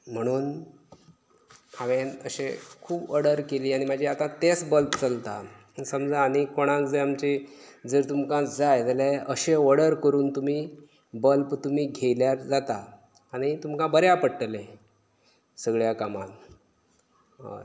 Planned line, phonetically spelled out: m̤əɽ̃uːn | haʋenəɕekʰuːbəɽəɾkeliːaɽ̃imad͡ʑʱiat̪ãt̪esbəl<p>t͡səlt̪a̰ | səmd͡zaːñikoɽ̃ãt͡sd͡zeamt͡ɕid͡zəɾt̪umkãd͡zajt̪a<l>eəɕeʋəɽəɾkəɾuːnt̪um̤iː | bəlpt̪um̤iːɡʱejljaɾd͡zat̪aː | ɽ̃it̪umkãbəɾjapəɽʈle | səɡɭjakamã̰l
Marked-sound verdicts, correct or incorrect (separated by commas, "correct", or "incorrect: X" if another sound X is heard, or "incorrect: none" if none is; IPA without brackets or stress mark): correct, correct